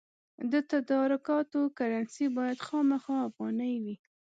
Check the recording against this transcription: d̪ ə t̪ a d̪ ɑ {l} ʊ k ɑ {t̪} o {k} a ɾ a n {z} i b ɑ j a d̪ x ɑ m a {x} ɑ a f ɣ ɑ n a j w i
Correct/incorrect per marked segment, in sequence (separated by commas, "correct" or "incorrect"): incorrect, correct, correct, incorrect, correct